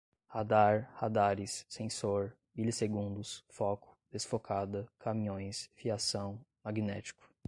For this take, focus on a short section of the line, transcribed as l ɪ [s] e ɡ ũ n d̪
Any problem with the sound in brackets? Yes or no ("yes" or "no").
no